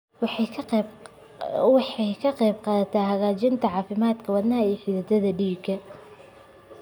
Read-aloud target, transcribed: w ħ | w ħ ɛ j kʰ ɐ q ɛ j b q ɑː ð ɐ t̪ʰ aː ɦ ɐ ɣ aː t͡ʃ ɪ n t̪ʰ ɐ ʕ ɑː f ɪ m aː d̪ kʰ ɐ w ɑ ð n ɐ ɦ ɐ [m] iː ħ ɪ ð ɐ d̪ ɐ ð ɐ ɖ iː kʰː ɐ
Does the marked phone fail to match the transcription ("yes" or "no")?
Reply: yes